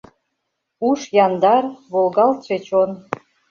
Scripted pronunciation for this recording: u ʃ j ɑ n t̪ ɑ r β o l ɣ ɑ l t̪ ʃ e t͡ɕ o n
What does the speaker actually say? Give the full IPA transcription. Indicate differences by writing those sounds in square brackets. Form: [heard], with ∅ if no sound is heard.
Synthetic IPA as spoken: u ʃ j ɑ n [d̪] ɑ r β o l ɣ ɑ l t̪ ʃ e t͡ɕ o n